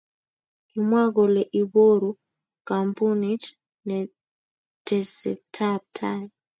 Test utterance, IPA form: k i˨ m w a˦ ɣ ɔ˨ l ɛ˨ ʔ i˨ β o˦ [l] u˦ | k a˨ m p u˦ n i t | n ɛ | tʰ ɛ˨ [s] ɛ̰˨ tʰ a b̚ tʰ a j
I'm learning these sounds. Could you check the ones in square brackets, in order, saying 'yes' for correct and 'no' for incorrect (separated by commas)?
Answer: no, yes